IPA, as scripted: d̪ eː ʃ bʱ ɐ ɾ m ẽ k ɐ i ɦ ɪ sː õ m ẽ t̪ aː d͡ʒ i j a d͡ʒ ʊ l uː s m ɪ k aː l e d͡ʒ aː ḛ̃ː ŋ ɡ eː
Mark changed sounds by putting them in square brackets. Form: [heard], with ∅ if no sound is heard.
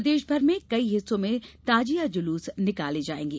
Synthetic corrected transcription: d̪ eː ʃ bʱ ɐ ɾ m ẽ k ɐ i ɦ ɪ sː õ m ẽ t̪ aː d͡ʒ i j a d͡ʒ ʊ l uː s [n] ɪ k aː l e d͡ʒ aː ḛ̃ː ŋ ɡ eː